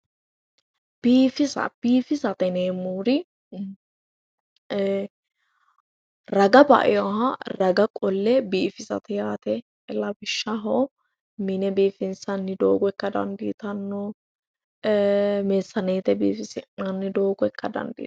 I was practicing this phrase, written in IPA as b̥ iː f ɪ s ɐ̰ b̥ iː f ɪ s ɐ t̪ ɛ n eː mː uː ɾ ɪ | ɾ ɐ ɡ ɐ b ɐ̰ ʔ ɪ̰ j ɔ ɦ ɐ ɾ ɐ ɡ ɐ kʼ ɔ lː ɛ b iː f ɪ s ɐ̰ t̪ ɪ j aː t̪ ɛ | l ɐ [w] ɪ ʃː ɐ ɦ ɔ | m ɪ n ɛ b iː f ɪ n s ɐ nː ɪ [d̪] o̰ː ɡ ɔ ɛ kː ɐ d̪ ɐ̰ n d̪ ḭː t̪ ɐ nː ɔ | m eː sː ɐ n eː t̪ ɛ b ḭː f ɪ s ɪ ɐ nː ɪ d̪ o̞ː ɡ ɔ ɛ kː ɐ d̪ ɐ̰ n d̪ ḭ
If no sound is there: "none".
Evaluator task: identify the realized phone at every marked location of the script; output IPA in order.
b, d̪

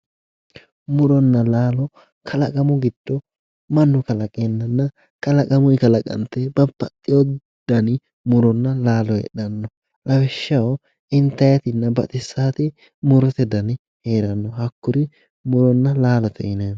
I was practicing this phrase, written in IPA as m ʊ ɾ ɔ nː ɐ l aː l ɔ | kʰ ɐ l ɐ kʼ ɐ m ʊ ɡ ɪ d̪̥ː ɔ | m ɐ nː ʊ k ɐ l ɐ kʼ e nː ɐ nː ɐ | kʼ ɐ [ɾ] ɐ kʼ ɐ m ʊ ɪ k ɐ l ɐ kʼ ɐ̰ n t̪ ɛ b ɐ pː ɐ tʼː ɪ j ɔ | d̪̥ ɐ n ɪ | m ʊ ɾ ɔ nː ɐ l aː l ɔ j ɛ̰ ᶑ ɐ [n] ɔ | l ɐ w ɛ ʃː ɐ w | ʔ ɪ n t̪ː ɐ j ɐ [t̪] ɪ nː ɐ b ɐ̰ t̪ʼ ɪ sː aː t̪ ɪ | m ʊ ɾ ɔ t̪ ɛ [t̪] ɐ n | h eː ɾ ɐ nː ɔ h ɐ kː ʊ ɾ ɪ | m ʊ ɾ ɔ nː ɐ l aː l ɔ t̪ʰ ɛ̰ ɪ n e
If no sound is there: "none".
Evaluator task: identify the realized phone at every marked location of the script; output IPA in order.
l, nː, t̪, d̪

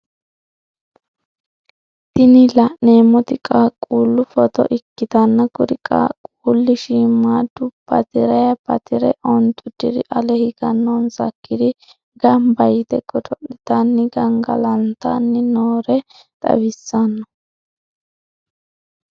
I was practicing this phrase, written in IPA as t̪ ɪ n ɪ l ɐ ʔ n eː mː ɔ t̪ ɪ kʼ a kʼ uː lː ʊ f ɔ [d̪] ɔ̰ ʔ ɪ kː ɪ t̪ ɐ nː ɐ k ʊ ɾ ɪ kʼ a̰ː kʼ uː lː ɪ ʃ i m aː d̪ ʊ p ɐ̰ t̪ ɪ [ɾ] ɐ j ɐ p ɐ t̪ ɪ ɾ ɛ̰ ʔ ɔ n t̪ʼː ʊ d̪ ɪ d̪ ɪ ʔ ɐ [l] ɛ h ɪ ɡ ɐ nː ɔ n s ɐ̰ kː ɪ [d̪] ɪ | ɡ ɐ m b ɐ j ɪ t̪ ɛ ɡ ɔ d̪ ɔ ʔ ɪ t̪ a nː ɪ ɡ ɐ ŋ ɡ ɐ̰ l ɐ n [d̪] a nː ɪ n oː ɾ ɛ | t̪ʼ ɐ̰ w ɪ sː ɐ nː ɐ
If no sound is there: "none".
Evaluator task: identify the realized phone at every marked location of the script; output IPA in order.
t̪, ɾ, l, d̪, t̪

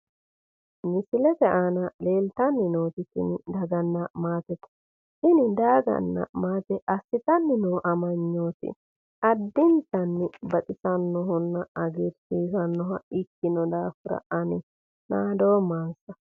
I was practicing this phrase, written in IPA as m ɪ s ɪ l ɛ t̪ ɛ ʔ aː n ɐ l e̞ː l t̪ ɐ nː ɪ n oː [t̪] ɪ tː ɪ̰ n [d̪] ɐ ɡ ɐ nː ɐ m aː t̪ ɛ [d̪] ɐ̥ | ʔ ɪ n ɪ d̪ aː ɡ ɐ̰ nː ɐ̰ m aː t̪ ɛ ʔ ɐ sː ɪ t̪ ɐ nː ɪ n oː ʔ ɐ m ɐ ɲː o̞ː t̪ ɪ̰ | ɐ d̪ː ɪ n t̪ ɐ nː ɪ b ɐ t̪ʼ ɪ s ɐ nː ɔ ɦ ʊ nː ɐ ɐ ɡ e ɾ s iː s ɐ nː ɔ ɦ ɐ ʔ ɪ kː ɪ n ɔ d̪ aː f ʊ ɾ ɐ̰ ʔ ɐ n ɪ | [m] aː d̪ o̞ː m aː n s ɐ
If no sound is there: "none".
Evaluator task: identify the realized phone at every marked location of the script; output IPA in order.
t̪, d̪, t̪, n

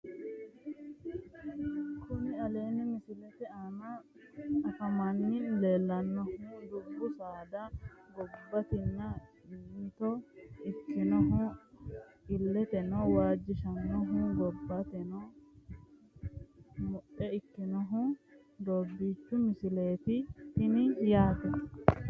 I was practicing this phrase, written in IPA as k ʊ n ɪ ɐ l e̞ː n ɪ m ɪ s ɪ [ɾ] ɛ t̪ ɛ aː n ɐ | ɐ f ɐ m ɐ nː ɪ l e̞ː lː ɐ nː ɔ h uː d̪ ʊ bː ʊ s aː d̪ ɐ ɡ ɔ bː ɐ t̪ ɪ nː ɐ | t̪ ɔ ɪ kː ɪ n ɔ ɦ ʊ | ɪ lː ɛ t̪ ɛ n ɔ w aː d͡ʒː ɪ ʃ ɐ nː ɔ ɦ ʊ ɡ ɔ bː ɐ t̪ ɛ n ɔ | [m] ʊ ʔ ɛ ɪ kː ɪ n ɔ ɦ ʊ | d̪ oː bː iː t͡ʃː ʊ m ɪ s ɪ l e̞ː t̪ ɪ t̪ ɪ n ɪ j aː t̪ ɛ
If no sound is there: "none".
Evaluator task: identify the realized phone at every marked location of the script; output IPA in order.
l, m

